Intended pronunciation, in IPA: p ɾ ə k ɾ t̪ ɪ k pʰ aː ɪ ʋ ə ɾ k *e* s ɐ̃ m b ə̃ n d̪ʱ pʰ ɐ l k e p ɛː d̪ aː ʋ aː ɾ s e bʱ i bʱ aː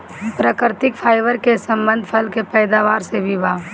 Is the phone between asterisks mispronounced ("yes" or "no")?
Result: no